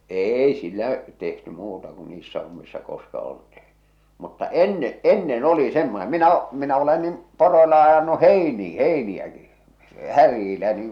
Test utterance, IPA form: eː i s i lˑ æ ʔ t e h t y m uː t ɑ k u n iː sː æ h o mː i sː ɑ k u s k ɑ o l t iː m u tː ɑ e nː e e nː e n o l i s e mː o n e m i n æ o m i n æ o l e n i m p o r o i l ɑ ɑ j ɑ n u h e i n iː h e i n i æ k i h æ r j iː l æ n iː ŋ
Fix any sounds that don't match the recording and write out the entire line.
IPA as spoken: eː i s i lˑ æ ʔ t e h t y m uː t ɑ k u n iː sː æ h o mː i sː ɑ k o s k ɑ o l t iː m u tː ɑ e nː e e nː e n o l i s e mː o n e m i n æ o m i n æ o l e n i m p o r o i l ɑ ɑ j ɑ n u h e i n iː h e i n i æ k i h æ r j iː l æ n iː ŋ

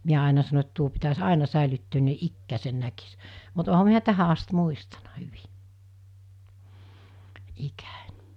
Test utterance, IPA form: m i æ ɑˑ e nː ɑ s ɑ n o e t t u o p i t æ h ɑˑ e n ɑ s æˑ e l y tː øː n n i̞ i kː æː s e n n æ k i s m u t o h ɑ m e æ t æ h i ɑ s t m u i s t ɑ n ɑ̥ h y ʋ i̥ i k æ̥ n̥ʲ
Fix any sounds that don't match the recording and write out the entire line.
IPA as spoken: m i æ ɑˑ e n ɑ s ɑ n o e t t u o p i t æ s ɑˑ e n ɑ s æˑ e l y tː øː n n i̞ i kː æː s e n n æ k i s m u t o h ɑ m i æ t æ h æ ɑ s t m u i s t ɑ n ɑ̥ h y ʋ i̥ i k æ̥ n̥ʲ

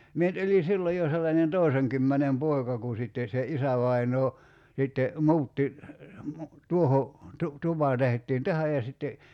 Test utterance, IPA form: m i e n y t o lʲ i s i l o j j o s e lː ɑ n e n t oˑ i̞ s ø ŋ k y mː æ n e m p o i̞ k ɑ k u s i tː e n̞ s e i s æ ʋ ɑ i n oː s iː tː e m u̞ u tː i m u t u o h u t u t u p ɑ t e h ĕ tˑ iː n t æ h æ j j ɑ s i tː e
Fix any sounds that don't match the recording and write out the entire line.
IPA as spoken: m i e n y t o lʲ i s i lː o j j o s e lː ɑ n e n t oˑ i̞ s e ŋ k y mː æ n e m p o i̞ k ɑ k u s i tː e n̞ s e i s æ ʋ ɑ i n oː s i tː e m u̞ u tː i m u t u o h o t u t u p ɑ t e h ĕ tˑ iː n t æ h æ j j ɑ s i tː e

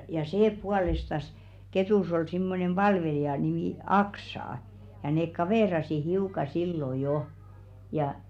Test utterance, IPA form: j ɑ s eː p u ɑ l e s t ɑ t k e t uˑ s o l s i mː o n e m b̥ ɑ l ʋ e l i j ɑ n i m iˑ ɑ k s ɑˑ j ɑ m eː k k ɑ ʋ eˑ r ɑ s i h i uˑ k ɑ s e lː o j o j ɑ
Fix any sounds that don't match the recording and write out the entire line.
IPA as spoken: j ɑ s eː p u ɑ l e s t ɑ s k e t uˑ s o l s i mː o n e m b̥ ɑ l ʋ e l i j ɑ n i m iˑ ɑ k s ɑˑ j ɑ n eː k k ɑ ʋ eˑ r ɑ s i h i uˑ k ɑ s i lː o j o j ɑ

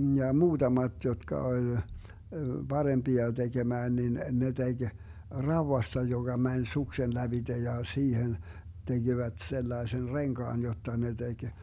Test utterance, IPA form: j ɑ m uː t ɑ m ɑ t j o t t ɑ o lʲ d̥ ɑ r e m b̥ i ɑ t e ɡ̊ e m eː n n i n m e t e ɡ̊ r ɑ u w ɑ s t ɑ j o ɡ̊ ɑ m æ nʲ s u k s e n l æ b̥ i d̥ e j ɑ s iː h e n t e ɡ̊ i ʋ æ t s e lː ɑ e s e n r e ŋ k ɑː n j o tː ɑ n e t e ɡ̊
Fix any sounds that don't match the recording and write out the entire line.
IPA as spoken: j ɑ m uː t ɑ m ɑ t j o t k ɑ o lʲ b̥ ɑ r e m b̥ i ɑ t e ɡ̊ e m æː n n i n n e t e ɡ̊ r ɑ u w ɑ s t ɑ j o ɡ̊ ɑ m æ nʲ s u k s e n l æ b̥ i d̥ e j ɑ s iː h e n t e ɡ̊ i ʋ æ t s e lː ɑ e s e n r e ŋ k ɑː n j o tː ɑ n e t e ɡ̊

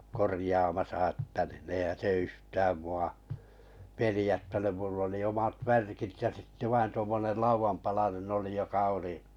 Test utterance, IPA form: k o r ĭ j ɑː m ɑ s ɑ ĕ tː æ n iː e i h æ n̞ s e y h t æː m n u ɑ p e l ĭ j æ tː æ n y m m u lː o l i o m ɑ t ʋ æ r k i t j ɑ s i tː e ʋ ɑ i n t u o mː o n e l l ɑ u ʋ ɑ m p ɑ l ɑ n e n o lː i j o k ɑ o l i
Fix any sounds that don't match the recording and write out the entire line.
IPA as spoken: k o r ĭ j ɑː m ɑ s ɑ ĕ tː æ n iː e i h æ n̞ s e y h t æː m m u ɑ p e l ĭ j æ tː æ n y m m u lː o l i o m ɑ t ʋ æ r k i t j ɑ s i tː e ʋ ɑ i n t u o mː o n e l l ɑ u ʋ ɑ m p ɑ l ɑ n e n o l i j o k ɑ o l i

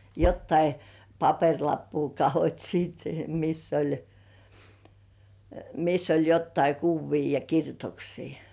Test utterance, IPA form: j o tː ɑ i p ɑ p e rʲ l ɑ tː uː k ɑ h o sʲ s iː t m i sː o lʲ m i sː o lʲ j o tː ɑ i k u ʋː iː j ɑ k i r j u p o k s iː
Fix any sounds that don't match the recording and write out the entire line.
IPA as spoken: j o tː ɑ i p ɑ p e rʲ l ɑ pː uː k ɑ h o tʲ s iː t m i sː o lʲ m i sː o lʲ j o tː ɑ i k u ʋː iː j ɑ k i r j u t o k s iː

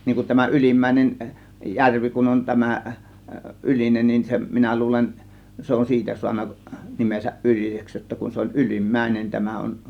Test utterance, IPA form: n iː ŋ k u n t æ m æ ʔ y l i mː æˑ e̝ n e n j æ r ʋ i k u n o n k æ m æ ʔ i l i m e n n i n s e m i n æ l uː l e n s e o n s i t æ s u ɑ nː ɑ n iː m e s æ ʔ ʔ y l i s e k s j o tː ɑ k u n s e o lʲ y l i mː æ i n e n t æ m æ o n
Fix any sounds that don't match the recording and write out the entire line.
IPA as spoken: n iː ŋ k u n t æ m æ ʔ y l i mː æˑ e̝ n e n j æ r ʋ i k u n o n t æ m æ ʔ y l i n e n n i n s e m i n æ l uː l e n s e o n s iː t æ s u ɑ nː ɑ n i m e s æ ʔ ʔ y l i s e k s j o tː ɑ k u n s e o lʲ y l i mː æ i n e n t æ m æ o n

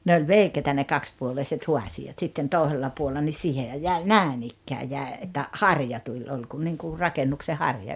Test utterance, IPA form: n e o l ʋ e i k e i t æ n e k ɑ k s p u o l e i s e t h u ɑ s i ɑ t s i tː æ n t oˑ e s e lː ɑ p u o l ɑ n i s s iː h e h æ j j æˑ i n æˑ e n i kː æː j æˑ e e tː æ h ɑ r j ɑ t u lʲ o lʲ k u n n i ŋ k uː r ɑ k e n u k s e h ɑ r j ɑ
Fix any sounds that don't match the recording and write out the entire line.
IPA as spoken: n e o l ʋ e i k e i t æ n e k ɑ k s p u o l e i s e t h u ɑ s i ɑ t s i tː e n t oˑ e s e lː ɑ p u o lː ɑ n i s s iː h e h æ j j æˑ i n æˑ e n i kː æː j æˑ e e tː æ h ɑ r j ɑ t u lʲ o lʲ k u n n i ŋ k u r ɑ k e nː u k s e h ɑ r j ɑ

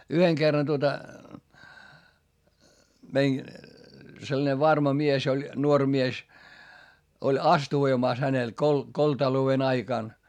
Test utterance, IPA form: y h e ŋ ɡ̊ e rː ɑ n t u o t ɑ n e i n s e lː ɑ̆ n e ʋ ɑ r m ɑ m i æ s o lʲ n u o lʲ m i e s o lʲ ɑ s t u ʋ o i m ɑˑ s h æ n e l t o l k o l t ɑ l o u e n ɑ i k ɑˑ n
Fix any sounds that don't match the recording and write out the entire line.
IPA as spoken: y h e ŋ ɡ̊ e rː ɑ n t u o t ɑ m e i n s e lː ɑ̆ n e ʋ ɑ r m ɑ m i e s o lʲ n u o rʲ m i e s o lʲ ɑ s t u ʋ o i m ɑˑ s h æ n e l k o l k o l t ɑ l o u e n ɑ i k ɑˑ n

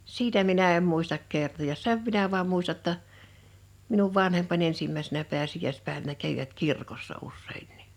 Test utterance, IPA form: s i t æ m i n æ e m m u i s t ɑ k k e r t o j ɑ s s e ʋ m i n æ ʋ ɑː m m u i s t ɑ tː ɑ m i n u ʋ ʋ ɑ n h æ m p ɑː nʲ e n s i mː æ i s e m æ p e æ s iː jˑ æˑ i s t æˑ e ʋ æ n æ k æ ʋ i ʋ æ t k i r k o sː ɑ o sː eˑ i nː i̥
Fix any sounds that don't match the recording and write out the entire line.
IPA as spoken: s i t æ m i n æ e m m u i s t ɑ k k e r t o j ɑ s s e ʋ m i n æ ʋ ɑː m m u i s t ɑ tː ɑ m i n u ʋ ʋ ɑ n h e m p ɑ nʲ e n s i mː æ i s e n æ p e æ s i jˑ æˑ i s p æˑ e ʋ æ n æ k æ ʋ i ʋ æ t k i r k o sː ɑ u sː eˑ i nː i̥

